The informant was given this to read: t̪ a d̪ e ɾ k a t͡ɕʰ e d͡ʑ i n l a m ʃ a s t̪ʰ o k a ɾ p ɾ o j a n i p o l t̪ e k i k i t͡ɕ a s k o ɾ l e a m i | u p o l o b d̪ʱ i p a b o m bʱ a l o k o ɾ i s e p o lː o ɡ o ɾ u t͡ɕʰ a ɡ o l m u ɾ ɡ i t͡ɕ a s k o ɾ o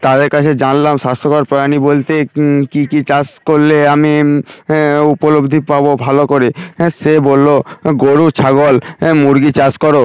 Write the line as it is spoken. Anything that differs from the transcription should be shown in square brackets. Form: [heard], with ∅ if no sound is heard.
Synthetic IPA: t̪ a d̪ e ɾ k a t͡ɕʰ e d͡ʑ [a] n l a m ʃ a s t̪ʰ o k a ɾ p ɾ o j a n i [b] o l t̪ e k i k i t͡ɕ a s k o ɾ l e a m i | u p o l o b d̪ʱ i p a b o [∅] bʱ a l o k o ɾ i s e [b] o lː o ɡ o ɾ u t͡ɕʰ a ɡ o l m u ɾ ɡ i t͡ɕ a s k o ɾ o